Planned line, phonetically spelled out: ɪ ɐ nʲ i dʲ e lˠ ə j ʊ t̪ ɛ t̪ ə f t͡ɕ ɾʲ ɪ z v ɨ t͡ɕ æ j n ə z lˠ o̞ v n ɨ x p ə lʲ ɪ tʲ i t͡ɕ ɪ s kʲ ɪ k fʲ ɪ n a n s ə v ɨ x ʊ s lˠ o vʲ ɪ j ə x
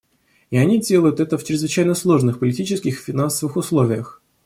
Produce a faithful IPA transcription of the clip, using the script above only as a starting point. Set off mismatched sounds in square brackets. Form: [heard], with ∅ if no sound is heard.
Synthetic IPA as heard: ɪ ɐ nʲ i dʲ e lˠ ə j ʊ t̪ ɛ t̪ ə f t͡ɕ ɾʲ ɪ z v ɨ t͡ɕ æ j n ə [s] lˠ o̞ [ʐ] n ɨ x p ə lʲ ɪ tʲ i t͡ɕ ɪ s kʲ ɪ [x] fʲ ɪ n a n s ə v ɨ x ʊ s lˠ o vʲ ɪ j ə x